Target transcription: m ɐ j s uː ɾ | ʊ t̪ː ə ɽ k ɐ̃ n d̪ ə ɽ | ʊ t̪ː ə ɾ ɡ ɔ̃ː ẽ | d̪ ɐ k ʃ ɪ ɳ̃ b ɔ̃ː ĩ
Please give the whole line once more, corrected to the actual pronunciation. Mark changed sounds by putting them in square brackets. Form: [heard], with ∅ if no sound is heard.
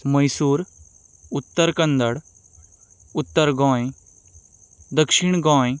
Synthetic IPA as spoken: m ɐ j s uː ɾ | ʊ t̪ː ə [ɾ] k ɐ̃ n d̪ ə ɽ | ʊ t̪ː ə ɾ ɡ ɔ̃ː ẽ | d̪ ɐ k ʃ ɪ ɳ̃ [ɡ] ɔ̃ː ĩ